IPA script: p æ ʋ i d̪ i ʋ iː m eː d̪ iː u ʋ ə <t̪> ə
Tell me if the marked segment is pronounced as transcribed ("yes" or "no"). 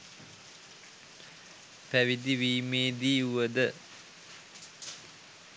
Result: no